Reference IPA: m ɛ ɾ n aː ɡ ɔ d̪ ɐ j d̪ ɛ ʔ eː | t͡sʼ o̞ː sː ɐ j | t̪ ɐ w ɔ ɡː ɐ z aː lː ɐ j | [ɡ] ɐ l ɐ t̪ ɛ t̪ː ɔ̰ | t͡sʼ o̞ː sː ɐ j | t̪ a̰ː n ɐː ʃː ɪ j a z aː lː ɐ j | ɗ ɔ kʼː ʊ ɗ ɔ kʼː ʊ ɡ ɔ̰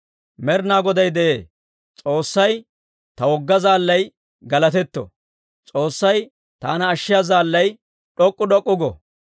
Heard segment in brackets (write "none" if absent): ɡ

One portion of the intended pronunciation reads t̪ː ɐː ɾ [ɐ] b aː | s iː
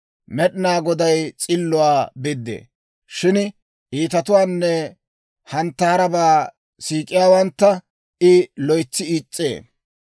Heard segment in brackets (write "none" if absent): ɐ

